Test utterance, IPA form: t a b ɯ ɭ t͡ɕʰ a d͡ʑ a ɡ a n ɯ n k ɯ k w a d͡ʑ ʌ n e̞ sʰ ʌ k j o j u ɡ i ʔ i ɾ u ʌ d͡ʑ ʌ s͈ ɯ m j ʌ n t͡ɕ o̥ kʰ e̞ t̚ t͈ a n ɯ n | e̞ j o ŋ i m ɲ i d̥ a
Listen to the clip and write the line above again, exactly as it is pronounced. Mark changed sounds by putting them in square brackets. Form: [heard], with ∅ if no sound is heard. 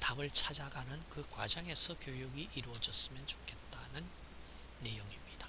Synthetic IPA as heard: t a b ɯ ɭ t͡ɕʰ a d͡ʑ a ɡ a n ɯ n k ɯ k w a d͡ʑ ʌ [ŋ] e̞ sʰ ʌ k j o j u ɡ i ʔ i ɾ u ʌ d͡ʑ ʌ s͈ ɯ m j ʌ n t͡ɕ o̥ kʰ e̞ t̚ t͈ a n ɯ [nː] | e̞ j o ŋ i m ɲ i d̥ a